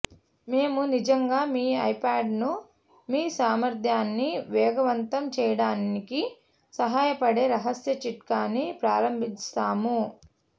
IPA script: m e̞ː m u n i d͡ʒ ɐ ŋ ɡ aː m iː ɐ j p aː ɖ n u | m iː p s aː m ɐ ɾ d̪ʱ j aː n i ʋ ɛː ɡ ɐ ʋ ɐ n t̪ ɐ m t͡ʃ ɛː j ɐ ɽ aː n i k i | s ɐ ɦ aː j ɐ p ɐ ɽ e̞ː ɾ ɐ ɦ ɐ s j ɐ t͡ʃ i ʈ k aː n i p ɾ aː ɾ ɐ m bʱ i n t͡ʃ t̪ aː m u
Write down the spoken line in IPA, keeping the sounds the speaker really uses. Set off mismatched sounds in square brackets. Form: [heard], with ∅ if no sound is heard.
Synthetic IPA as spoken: m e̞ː m u n i d͡ʒ ɐ ŋ ɡ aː m iː ɐ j p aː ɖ n u | m iː [∅] s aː m ɐ ɾ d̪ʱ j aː [nː] i ʋ ɛː ɡ ɐ ʋ ɐ n t̪ ɐ m t͡ʃ ɛː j ɐ ɽ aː n i k i | s ɐ ɦ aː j ɐ p ɐ ɽ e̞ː ɾ ɐ ɦ ɐ s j ɐ t͡ʃ i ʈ k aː n i p ɾ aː ɾ ɐ m bʱ i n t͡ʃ t̪ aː m u